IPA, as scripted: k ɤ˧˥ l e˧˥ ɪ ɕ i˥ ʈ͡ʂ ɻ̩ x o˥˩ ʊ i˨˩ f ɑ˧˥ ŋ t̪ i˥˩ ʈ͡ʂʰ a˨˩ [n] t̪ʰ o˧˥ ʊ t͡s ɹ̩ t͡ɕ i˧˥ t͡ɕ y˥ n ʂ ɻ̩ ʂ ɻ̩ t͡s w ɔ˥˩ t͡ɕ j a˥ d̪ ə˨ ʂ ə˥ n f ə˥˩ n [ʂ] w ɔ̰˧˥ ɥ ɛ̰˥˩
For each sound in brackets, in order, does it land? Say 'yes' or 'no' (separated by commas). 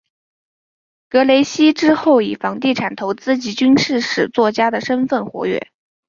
yes, no